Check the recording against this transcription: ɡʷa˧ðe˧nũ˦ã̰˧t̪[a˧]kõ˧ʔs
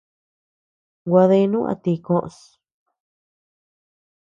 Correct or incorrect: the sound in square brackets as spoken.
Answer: incorrect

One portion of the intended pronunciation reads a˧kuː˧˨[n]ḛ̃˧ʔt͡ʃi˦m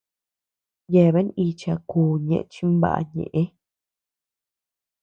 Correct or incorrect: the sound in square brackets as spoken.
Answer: incorrect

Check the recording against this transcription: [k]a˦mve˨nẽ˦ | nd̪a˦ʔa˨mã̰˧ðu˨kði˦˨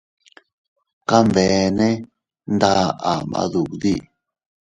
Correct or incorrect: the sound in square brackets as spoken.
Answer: correct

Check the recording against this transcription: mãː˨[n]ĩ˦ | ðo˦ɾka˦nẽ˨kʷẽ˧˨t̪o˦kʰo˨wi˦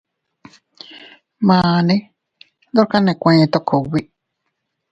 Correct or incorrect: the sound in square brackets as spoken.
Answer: correct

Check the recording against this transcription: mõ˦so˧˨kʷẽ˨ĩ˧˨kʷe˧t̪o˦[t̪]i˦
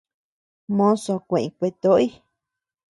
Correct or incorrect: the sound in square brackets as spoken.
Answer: incorrect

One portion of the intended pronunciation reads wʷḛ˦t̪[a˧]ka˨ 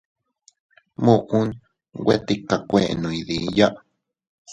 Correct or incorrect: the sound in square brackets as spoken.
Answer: incorrect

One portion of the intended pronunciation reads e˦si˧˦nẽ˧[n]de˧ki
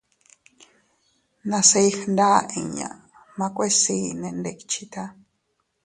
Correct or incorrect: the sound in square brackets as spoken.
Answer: correct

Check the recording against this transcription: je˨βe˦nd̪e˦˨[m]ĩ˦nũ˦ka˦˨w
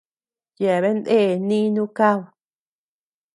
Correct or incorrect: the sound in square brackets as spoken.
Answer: incorrect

